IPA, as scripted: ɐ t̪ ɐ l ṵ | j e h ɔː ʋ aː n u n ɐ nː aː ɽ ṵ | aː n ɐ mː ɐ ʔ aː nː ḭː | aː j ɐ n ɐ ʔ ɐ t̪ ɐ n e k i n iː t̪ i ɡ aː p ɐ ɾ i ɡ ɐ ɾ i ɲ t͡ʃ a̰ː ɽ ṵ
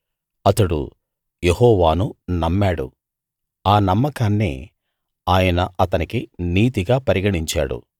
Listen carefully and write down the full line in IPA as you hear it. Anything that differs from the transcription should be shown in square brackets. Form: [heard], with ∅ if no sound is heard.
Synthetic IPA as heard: ɐ t̪ ɐ [ɽ] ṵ | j e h ɔː ʋ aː n u n ɐ [mː] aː ɽ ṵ | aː n ɐ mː ɐ [k] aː nː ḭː | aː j ɐ n ɐ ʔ ɐ t̪ ɐ n [i] k i n iː t̪ i ɡ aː p ɐ ɾ i ɡ ɐ [ɽ] i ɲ t͡ʃ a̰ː ɽ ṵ